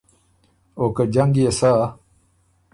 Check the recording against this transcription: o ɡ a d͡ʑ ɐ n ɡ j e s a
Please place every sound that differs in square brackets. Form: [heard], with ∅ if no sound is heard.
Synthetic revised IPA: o [k] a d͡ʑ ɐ [ŋ] ɡ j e s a